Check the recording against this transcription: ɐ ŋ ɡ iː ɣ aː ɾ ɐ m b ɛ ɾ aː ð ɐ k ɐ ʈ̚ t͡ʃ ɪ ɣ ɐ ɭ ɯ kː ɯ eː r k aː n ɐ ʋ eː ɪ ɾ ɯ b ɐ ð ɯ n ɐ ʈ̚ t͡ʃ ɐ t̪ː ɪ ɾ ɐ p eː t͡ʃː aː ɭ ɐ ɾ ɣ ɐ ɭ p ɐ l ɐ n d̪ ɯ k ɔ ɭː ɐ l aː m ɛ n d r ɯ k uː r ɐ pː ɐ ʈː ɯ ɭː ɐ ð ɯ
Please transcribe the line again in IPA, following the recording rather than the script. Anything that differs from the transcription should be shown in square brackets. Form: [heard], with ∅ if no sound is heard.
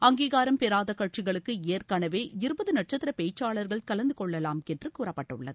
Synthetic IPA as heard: ɐ ŋ ɡ iː ɣ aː ɾ ɐ m [p] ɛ ɾ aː ð ɐ k ɐ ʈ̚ t͡ʃ ɪ ɣ ɐ ɭ ɯ kː ɯ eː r k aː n ɐ ʋ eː ɪ ɾ ɯ b ɐ ð ɯ n ɐ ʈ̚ t͡ʃ ɐ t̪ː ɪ ɾ ɐ p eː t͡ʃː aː ɭ ɐ ɾ ɣ ɐ ɭ [k] ɐ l ɐ n d̪ ɯ k ɔ ɭː ɐ l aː m ɛ n d r ɯ k uː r ɐ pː ɐ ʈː ɯ ɭː ɐ ð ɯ